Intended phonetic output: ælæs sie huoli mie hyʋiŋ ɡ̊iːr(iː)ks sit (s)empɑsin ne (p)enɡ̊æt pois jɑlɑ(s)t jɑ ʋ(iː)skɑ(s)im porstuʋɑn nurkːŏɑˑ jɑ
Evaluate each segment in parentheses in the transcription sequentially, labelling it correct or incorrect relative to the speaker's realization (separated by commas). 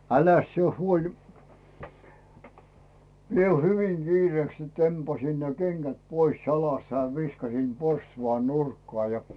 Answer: incorrect, incorrect, incorrect, correct, incorrect, correct